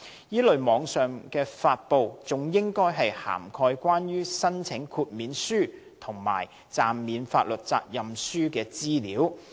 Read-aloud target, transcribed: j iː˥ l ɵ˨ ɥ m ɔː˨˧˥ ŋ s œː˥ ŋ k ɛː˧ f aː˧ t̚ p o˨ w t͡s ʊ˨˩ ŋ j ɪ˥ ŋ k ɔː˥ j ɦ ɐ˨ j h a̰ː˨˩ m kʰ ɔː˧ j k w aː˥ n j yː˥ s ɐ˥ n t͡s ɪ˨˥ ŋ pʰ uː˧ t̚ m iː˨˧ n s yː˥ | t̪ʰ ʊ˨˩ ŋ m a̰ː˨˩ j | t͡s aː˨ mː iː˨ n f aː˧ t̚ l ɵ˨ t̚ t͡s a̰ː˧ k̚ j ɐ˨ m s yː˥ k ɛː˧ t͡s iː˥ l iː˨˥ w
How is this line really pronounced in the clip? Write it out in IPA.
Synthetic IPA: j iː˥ l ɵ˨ ɥ m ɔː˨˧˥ ŋ s œː˨˩ ŋ k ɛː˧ f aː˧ t̚ p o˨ w t͡s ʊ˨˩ ŋ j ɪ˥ ŋ k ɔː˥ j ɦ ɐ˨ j h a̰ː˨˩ m kʰ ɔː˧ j k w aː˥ n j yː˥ s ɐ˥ n t͡sʰ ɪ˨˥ ŋ kʰ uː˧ t̚ m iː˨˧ n s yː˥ | t̪ʰ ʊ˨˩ ŋ m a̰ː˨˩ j | t͡s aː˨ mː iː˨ n f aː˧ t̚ l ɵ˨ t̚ t͡s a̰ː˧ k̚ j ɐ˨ m s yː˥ k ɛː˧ t͡s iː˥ l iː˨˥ w